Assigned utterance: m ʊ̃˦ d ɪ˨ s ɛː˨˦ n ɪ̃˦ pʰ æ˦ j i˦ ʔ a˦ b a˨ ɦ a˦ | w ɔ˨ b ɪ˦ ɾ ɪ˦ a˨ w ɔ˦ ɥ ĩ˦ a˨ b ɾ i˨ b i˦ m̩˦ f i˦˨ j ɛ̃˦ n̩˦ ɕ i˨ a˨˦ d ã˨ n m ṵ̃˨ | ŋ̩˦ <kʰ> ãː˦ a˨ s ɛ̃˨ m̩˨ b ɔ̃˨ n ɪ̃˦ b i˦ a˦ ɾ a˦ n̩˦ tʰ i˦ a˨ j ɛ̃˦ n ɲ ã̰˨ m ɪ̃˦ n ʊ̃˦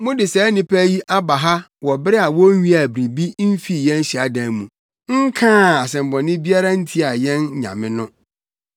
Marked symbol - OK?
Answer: yes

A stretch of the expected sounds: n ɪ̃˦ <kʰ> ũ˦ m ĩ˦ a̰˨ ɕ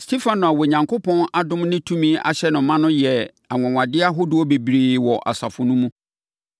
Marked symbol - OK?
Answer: no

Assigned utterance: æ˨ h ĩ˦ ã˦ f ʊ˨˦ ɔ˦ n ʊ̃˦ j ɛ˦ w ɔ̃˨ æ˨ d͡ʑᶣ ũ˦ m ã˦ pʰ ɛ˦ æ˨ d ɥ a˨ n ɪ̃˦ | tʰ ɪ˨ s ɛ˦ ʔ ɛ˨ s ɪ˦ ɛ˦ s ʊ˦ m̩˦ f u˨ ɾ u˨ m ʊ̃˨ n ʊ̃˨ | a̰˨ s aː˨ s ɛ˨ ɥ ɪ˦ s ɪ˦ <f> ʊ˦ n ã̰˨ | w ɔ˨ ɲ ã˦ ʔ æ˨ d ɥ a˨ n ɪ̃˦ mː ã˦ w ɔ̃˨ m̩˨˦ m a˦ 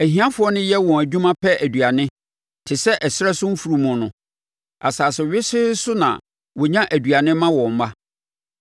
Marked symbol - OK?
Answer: no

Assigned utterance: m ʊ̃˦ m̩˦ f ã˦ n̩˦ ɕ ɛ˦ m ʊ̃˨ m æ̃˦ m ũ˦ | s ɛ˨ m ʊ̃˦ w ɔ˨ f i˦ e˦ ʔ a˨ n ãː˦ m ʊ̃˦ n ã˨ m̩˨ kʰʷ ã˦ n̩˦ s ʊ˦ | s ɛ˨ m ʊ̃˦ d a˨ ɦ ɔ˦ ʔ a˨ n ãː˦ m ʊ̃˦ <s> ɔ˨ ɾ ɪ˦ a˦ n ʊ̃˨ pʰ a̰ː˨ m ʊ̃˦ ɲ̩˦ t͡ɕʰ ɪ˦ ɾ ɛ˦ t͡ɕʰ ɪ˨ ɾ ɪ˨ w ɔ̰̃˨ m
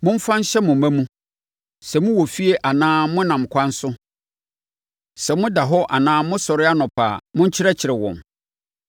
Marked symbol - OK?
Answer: yes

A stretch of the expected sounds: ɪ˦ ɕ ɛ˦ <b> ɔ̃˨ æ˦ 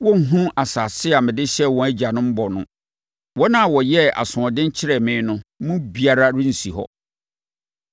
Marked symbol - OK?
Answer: no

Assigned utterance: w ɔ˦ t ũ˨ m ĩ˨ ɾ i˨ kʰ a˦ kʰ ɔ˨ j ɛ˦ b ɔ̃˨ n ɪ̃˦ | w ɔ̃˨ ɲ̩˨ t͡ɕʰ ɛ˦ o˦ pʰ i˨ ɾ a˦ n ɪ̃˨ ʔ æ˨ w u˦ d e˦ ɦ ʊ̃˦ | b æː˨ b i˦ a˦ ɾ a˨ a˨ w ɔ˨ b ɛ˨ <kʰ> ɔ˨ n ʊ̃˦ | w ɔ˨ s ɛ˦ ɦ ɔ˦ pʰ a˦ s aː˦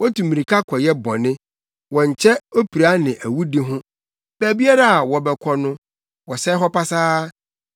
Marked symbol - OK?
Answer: yes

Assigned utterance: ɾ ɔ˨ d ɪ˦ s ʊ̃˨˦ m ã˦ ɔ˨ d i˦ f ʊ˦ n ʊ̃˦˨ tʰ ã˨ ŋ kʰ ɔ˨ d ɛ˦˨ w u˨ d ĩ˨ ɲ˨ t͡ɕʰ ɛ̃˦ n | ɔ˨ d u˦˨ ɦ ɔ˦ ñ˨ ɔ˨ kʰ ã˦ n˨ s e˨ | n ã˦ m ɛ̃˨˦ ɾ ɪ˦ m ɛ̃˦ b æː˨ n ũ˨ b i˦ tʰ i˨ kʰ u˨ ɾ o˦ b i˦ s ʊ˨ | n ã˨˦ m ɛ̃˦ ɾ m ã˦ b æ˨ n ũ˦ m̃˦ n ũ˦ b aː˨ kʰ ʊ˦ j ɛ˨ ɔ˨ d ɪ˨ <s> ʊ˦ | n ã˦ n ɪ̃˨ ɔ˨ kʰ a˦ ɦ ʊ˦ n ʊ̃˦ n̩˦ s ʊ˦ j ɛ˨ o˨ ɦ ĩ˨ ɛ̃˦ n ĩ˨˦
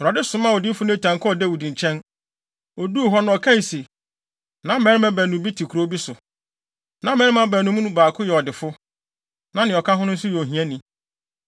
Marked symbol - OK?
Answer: no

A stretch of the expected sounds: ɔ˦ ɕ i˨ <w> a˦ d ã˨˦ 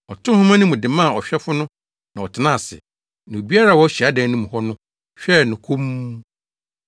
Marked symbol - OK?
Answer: no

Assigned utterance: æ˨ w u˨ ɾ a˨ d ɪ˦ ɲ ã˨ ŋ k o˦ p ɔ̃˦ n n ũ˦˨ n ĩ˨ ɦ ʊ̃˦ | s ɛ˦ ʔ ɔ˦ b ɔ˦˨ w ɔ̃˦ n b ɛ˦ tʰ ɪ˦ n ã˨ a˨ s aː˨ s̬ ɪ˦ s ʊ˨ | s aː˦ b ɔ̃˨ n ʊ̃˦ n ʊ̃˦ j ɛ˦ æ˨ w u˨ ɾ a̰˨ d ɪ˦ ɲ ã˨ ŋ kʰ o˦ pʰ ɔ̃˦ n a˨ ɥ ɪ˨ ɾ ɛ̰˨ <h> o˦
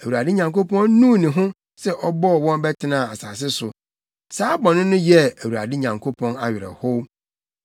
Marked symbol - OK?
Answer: yes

